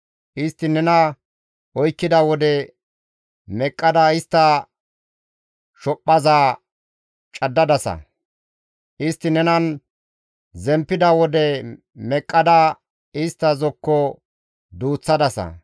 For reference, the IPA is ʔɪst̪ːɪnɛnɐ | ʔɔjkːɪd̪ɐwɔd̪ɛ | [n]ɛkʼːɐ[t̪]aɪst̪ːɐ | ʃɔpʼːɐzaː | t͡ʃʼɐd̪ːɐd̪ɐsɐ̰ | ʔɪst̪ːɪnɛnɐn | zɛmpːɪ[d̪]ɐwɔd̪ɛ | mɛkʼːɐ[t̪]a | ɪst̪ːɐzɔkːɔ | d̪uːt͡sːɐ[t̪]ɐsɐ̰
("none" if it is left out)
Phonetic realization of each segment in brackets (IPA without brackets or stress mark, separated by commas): m, d̪, d̪, d̪, d̪